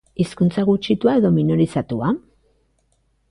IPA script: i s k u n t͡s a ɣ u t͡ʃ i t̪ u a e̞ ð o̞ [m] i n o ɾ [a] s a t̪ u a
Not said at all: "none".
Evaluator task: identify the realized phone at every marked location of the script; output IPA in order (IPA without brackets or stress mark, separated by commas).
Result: m, i